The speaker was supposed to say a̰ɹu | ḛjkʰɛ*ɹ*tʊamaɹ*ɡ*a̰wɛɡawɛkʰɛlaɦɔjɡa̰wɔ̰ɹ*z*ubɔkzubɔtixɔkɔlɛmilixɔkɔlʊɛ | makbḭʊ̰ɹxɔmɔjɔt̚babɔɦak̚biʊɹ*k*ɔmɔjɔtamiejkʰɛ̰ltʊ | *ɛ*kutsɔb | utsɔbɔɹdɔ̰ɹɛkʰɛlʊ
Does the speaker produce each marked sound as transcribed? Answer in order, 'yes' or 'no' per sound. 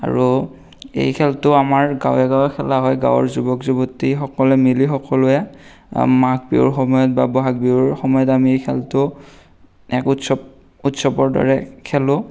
no, yes, yes, no, yes

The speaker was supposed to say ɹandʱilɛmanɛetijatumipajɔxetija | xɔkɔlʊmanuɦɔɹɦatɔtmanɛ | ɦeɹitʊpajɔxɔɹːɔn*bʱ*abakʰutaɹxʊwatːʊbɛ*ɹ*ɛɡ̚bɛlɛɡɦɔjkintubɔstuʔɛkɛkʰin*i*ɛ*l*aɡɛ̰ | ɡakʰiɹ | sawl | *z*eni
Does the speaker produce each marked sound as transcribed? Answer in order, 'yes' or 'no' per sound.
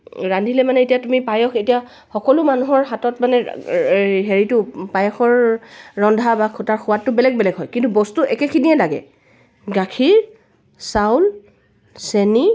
no, no, yes, yes, no

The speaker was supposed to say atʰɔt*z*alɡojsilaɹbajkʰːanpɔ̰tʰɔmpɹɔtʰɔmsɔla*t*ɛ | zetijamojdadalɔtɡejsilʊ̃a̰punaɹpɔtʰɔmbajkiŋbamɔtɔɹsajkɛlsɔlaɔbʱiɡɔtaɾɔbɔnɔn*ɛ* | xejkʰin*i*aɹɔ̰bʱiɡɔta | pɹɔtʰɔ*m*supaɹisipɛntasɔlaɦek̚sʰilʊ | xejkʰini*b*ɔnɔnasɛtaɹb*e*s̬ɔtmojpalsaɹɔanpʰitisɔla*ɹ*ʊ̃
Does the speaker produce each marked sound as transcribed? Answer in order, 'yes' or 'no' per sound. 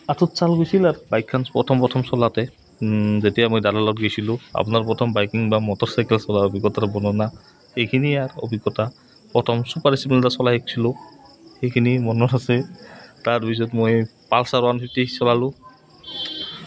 no, yes, no, yes, yes, no, no, no

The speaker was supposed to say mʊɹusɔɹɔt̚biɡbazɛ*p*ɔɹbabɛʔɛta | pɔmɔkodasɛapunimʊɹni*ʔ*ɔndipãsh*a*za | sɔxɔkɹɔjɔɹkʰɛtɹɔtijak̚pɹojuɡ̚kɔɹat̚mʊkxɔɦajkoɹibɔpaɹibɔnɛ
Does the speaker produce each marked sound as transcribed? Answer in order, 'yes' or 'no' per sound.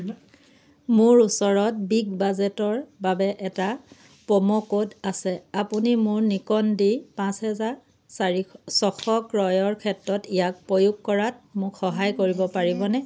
no, no, no

